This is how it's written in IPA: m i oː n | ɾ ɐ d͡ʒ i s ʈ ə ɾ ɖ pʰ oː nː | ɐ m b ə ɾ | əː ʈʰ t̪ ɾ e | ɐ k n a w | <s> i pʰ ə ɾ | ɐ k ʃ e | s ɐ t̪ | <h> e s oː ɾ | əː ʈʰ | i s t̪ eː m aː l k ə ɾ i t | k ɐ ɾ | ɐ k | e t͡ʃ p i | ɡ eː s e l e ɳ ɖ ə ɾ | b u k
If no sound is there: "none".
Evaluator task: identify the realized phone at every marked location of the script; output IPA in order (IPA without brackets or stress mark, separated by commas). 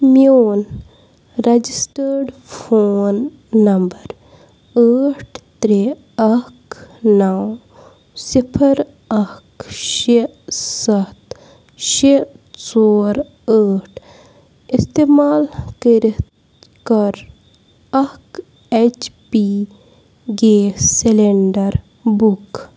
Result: s, ʃ